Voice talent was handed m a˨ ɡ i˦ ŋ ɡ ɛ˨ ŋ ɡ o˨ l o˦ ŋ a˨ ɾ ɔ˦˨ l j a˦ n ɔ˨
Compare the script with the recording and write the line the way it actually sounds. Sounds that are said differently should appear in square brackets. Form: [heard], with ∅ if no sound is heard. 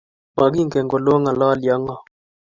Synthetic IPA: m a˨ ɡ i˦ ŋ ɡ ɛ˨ ŋ ɡ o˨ l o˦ ŋ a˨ [l] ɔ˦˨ l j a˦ [ŋ] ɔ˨